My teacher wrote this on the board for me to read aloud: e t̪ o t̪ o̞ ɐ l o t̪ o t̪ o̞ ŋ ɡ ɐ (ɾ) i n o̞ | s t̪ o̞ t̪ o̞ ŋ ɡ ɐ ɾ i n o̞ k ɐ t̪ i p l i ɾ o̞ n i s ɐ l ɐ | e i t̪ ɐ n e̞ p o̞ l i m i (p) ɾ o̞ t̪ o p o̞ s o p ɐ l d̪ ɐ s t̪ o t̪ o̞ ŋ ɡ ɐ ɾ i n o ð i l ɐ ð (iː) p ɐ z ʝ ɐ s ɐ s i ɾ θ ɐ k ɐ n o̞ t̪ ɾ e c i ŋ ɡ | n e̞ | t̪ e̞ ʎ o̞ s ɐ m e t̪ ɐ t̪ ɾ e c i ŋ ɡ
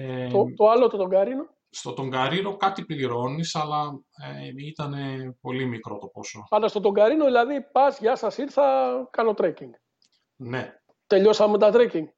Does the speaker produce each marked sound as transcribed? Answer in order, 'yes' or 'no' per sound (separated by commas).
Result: yes, no, no